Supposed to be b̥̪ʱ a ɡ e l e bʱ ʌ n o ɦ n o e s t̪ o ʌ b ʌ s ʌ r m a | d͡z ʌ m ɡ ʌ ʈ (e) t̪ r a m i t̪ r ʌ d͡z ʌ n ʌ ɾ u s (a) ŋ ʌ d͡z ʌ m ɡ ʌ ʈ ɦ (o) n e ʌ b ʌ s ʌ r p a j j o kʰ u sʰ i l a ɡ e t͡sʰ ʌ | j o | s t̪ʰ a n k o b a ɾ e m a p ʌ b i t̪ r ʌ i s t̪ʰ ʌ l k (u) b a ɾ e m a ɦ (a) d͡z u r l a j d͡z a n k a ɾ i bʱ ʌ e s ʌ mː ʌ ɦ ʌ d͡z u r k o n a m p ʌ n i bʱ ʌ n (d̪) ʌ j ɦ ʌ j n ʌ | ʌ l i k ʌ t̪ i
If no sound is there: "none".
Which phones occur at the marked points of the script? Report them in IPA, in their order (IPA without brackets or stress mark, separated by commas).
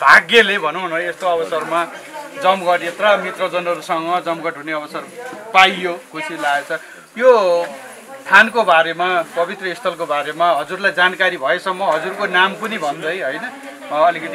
e, ʌ, u, o, ʌ, d̪